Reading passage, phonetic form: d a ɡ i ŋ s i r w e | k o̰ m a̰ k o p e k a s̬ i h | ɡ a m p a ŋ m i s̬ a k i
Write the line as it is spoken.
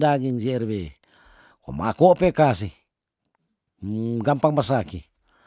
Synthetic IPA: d a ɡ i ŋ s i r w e | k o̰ m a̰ k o p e k a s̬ i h | ɡ a m p a ŋ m a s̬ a k i